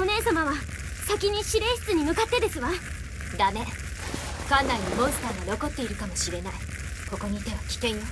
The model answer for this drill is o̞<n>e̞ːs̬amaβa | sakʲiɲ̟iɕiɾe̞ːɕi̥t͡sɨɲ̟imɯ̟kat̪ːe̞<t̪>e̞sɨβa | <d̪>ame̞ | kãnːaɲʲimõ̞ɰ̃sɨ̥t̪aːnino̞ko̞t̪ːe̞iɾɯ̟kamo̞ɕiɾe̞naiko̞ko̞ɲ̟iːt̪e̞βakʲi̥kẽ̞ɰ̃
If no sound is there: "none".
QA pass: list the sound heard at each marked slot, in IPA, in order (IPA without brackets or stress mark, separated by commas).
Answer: n, d̪, d̪